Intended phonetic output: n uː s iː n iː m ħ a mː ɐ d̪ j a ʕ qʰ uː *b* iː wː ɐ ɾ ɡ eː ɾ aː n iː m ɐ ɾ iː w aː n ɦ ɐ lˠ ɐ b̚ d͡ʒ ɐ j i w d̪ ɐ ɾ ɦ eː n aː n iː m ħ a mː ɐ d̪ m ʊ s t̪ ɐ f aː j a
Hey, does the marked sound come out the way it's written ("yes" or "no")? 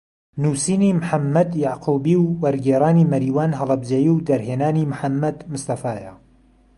yes